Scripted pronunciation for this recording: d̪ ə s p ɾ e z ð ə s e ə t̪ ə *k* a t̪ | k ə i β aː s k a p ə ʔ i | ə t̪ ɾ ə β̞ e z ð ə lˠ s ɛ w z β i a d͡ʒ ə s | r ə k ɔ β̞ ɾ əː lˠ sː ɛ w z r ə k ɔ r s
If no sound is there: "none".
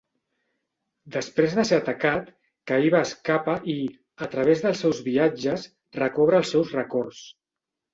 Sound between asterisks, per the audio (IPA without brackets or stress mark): k